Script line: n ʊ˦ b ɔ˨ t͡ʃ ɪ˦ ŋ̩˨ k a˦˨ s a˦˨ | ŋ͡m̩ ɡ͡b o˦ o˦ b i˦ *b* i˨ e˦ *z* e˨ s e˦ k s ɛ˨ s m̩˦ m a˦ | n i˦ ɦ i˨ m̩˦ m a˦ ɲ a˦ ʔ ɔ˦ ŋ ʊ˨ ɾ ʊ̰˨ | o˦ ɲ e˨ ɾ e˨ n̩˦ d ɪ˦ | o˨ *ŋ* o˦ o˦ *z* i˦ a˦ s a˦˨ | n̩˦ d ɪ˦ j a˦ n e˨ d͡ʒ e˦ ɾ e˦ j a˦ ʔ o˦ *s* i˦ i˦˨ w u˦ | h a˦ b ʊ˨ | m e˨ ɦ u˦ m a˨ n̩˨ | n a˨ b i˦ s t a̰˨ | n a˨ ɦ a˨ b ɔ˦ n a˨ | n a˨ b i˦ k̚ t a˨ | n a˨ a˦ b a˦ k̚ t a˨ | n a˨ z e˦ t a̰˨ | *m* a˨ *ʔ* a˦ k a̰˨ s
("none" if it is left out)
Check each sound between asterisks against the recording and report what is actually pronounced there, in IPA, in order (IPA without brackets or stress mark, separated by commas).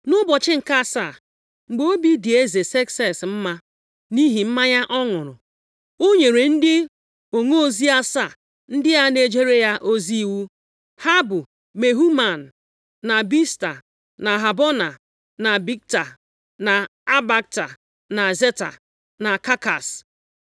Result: d, z, ŋ, z, z, n, k